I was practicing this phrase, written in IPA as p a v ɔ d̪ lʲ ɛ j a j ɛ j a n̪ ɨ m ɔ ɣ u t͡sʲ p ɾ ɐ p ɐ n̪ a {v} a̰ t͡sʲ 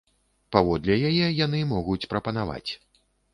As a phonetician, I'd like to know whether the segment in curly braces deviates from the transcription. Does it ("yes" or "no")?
no